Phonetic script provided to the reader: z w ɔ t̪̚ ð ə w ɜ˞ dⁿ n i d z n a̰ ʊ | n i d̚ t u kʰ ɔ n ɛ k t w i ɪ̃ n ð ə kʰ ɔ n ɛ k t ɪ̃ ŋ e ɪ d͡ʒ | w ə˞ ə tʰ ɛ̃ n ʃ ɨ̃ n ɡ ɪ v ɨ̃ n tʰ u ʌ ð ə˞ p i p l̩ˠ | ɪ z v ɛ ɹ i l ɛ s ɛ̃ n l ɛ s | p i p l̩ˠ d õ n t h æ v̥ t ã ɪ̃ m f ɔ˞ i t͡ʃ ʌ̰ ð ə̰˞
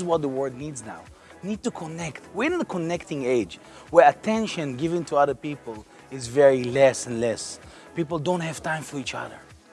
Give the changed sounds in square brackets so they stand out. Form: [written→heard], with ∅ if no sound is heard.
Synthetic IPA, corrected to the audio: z w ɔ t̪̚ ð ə w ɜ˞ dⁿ n i d z n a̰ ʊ | n i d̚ t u kʰ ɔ n ɛ k t w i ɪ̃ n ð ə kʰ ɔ n ɛ k t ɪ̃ ŋ e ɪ d͡ʒ | w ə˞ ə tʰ ɛ̃ n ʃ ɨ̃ n ɡ ɪ v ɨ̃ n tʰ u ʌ ð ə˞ p i p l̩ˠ | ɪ z v ɛ ɹ i l ɛ s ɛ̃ n l ɛ s | p i p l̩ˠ d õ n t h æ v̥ t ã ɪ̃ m f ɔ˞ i t͡ʃ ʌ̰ ð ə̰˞